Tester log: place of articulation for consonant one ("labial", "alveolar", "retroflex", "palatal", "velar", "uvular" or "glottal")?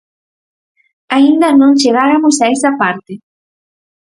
alveolar